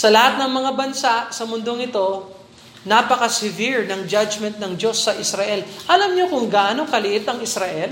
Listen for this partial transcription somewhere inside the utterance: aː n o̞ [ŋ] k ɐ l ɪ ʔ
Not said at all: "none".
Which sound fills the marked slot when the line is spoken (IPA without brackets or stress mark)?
ŋ